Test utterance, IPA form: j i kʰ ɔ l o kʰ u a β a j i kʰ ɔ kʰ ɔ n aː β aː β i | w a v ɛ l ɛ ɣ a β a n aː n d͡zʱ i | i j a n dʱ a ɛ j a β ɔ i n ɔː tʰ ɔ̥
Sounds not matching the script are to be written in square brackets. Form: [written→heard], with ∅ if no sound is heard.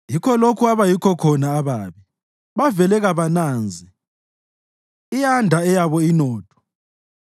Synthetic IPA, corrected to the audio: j i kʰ ɔ l o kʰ u a β a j i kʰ ɔ kʰ ɔ n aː β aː β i | [w→β] a v ɛ l ɛ ɣ a β a n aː n d͡zʱ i | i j a n dʱ a ɛ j a β ɔ i n ɔː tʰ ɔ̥

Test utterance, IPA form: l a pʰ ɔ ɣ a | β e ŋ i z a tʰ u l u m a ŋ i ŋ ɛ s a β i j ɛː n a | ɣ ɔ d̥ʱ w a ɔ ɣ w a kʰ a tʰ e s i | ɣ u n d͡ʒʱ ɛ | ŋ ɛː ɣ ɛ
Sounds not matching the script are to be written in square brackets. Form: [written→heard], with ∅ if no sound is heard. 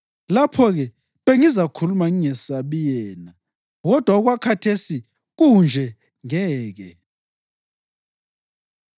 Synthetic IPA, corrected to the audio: l a pʰ ɔ ɣ [a→ɛ] | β e ŋ i z a [tʰ→kʰ] u l u m a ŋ i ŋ ɛ s a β i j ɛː n a | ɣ ɔ d̥ʱ w a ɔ ɣ w a kʰ a tʰ e s i | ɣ u n d͡ʒʱ ɛ | ŋ ɛː ɣ ɛ

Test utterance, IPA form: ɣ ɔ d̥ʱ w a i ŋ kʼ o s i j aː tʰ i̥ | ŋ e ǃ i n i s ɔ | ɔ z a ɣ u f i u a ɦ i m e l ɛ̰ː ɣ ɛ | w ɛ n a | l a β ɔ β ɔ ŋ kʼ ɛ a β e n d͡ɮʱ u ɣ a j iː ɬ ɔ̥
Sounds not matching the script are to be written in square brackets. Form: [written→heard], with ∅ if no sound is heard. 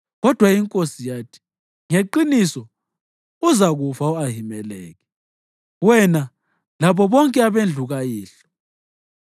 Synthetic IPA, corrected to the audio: ɣ ɔ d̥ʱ w a i ŋ kʼ o s i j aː tʰ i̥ | ŋ e ǃ i n i s ɔ | [ɔ→u] z a ɣ u f [i→a] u a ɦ i m [e→ɛ] l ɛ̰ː ɣ ɛ | w ɛ n a | l a β ɔ β ɔ ŋ kʼ ɛ a β e n d͡ɮʱ u ɣ a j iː ɬ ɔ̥

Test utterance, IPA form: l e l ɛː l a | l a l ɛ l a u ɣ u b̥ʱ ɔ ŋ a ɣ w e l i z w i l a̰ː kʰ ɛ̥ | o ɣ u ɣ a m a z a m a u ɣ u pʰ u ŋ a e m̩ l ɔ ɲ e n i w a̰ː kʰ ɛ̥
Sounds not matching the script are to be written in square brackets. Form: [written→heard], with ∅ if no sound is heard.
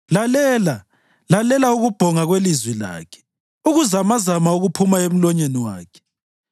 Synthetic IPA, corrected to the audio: l [e→a] l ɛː l a | l a l ɛ l a u ɣ u b̥ʱ ɔ ŋ a ɣ w e l i z w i l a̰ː kʰ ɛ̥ | [o→u] ɣ u [ɣ→z] a m a z a m a u ɣ u pʰ u [ŋ→m] a e m̩ l ɔ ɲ e n i w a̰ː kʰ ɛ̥

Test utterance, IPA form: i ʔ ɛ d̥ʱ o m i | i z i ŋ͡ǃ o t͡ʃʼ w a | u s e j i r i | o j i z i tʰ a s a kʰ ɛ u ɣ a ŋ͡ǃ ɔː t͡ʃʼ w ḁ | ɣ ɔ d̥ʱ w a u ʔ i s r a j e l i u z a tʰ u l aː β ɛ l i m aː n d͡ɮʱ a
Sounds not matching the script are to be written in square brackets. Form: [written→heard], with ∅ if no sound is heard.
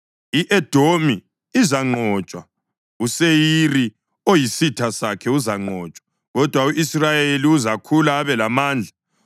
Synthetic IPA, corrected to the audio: i ʔ ɛ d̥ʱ o m i | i z [i→a] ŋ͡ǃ [o→ɔ] t͡ʃʼ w a | u s e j i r i | o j i [z→s] i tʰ a s a kʰ ɛ u [ɣ→z] a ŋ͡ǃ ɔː t͡ʃʼ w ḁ | ɣ ɔ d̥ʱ w a u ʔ i s r a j e l i u z a [tʰ→kʰ] u l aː β ɛ l [i→a] m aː n d͡ɮʱ a

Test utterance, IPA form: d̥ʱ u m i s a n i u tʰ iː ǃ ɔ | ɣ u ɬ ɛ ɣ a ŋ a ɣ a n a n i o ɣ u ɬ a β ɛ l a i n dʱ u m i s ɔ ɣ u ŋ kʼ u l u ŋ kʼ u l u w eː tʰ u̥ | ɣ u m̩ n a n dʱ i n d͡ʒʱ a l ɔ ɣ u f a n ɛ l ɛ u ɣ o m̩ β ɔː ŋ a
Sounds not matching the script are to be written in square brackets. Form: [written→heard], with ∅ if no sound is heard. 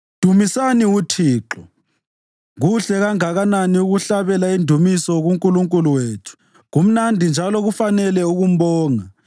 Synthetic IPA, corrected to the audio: d̥ʱ u m i s a n i u tʰ iː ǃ ɔ | ɣ u ɬ ɛ ɣ a ŋ a ɣ a n a n i [o→u] ɣ u ɬ a β ɛ l a i n dʱ u m i s ɔ ɣ u ŋ kʼ u l u ŋ kʼ u l u w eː tʰ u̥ | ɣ u m̩ n a n dʱ i n d͡ʒʱ a l ɔ ɣ u f a n ɛ l ɛ u ɣ [o→u] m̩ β ɔː ŋ a

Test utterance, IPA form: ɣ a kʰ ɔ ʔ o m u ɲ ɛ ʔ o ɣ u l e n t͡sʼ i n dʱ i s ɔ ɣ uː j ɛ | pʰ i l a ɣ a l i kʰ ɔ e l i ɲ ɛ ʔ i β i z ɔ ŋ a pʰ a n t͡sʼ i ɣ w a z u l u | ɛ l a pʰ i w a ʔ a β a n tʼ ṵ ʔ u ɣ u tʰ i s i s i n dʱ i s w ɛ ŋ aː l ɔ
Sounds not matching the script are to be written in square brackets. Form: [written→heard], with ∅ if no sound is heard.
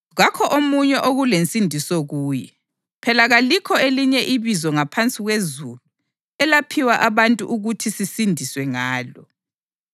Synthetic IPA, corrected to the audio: ɣ a kʰ ɔ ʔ o m u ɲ ɛ ʔ o ɣ u l e n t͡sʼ i n dʱ i s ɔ ɣ uː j ɛ | pʰ [i→ɛ] l a ɣ a l i kʰ ɔ e l i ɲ ɛ ʔ i β i z ɔ ŋ a pʰ a n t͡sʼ i ɣ w [a→e] z u l u | ɛ l a pʰ i w a ʔ a β a n tʼ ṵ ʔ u ɣ u tʰ i s i s i n dʱ i s w ɛ ŋ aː l ɔ

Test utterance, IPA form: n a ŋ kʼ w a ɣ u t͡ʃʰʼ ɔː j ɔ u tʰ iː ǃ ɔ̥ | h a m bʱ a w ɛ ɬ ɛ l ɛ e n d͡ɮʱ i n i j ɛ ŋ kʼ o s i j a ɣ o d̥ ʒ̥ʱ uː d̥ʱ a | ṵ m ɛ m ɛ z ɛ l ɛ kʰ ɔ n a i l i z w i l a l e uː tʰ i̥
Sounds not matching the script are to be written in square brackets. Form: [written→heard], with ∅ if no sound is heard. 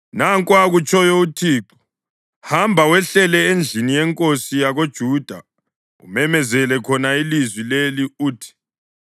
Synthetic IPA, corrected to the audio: n a ŋ kʼ w a ɣ u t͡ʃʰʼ [ɔː→ɔ] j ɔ u tʰ iː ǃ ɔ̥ | h a m bʱ a w ɛ ɬ ɛ l ɛ e n d͡ɮʱ i n i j ɛ ŋ kʼ o s i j a ɣ o d̥ ʒ̥ʱ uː d̥ʱ a | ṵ m ɛ m ɛ z ɛ l ɛ kʰ ɔ n a i l i z w i l [a→e] l [e→i] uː tʰ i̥

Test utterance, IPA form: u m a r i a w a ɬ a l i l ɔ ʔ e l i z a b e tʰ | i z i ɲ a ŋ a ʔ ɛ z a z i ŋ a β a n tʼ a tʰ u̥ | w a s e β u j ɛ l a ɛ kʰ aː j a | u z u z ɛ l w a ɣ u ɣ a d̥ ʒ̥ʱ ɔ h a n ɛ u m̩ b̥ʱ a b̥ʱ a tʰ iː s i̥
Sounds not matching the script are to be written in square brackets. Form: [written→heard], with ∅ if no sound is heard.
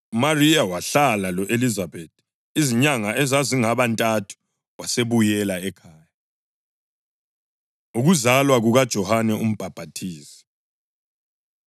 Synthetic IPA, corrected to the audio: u m a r i a w a ɬ a l [i→a] l ɔ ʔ e l i z a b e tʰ | i z i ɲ a ŋ a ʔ ɛ z a z i ŋ a β a n tʼ a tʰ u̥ | w a s e β u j ɛ l a ɛ kʰ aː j a | u [z→ɣ] u z [ɛ→a] l w a ɣ u ɣ a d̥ ʒ̥ʱ ɔ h a n ɛ u m̩ b̥ʱ a b̥ʱ a tʰ iː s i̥

